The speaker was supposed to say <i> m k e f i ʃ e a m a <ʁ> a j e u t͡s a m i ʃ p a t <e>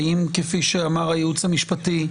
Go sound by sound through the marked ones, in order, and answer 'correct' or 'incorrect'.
correct, correct, incorrect: i

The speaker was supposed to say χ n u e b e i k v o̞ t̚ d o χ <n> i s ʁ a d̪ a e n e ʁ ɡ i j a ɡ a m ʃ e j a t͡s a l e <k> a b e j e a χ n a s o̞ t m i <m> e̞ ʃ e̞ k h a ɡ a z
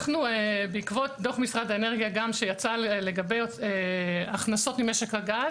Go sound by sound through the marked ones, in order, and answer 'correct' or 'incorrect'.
incorrect: m, incorrect: ɡ, correct

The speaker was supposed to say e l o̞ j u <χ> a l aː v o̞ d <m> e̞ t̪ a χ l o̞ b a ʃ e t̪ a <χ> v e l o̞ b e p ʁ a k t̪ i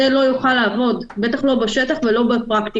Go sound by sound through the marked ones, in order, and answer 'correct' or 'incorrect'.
correct, incorrect: b, correct

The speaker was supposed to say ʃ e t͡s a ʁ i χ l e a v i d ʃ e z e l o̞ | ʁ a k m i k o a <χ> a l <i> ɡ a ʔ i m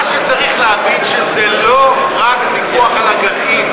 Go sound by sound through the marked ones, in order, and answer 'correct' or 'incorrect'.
correct, incorrect: a

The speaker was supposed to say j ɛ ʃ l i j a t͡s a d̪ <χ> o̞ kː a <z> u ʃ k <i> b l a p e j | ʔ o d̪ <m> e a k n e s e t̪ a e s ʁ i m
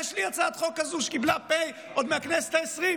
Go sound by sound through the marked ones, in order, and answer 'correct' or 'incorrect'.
correct, correct, correct, correct

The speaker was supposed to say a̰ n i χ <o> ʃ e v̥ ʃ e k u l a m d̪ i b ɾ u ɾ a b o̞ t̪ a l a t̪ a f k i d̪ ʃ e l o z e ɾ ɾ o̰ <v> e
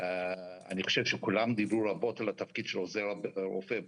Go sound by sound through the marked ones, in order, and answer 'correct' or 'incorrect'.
correct, incorrect: f

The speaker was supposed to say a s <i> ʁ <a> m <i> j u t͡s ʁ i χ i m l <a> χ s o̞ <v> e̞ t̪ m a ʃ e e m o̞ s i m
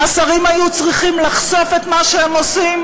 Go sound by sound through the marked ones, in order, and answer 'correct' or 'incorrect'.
incorrect: a, incorrect: i, incorrect: a, correct, incorrect: f

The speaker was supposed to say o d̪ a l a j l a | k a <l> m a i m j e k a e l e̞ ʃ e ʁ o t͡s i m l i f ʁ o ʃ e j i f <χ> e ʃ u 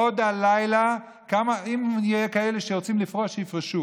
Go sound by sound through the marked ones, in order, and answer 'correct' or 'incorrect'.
incorrect: none, incorrect: ʁ

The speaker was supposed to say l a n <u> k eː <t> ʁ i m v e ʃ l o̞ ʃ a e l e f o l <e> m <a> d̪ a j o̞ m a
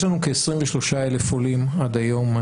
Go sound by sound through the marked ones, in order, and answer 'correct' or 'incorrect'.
correct, incorrect: s, incorrect: i, correct

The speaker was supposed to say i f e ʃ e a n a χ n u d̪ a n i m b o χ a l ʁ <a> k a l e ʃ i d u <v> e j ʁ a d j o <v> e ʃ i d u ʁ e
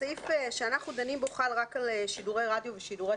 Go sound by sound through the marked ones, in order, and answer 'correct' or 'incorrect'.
correct, incorrect: ʁ, correct

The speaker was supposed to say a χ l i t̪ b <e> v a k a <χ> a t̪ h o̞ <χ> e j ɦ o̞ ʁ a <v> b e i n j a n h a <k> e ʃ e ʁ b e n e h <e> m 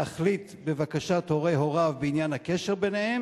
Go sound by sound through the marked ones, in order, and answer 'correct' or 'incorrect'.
correct, incorrect: ʃ, incorrect: ʁ, correct, correct, correct

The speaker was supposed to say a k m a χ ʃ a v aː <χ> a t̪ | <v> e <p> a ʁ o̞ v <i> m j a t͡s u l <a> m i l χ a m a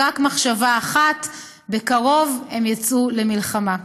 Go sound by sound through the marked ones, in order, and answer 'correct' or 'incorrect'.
correct, incorrect: b, incorrect: k, incorrect: e, incorrect: e

